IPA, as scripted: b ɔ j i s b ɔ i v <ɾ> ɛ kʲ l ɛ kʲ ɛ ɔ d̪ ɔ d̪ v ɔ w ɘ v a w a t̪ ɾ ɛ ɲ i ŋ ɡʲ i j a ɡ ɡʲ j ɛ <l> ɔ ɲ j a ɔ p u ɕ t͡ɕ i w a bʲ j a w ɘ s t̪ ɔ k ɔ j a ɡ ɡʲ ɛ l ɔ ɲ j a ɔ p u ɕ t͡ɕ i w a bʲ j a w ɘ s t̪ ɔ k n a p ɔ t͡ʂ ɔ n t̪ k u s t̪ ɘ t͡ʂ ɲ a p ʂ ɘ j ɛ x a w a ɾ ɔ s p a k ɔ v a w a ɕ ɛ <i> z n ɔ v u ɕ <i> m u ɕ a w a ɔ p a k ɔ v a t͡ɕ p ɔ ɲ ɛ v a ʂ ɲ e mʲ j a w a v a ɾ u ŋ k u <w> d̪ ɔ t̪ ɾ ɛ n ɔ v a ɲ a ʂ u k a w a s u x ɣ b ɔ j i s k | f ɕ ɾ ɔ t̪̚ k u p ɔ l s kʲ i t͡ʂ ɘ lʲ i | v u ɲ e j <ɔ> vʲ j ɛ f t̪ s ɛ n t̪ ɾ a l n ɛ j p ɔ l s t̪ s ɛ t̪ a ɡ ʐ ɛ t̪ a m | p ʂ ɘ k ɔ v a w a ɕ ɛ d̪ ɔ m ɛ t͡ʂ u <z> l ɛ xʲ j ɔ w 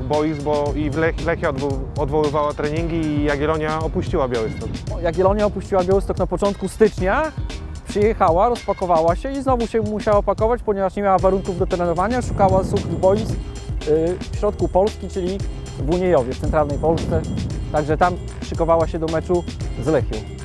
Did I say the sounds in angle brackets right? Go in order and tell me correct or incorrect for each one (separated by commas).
incorrect, correct, correct, incorrect, incorrect, correct, correct